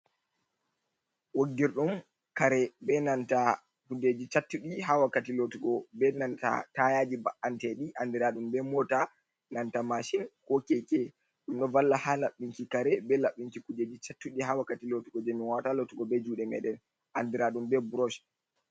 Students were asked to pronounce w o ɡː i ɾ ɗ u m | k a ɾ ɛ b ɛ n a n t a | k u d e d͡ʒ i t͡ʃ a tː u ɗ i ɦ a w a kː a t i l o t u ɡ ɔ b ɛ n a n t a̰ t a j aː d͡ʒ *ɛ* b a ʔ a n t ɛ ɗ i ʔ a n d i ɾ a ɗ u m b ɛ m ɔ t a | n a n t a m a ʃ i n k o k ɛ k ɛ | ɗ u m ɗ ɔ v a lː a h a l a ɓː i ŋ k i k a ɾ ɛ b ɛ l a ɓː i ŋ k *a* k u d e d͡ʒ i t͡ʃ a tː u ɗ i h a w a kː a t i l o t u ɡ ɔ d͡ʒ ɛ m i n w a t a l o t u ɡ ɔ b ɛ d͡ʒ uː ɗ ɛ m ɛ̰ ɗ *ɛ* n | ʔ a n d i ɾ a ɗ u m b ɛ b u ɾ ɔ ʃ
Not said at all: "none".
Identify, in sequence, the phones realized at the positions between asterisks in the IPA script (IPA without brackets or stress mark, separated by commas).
i, i, ɛ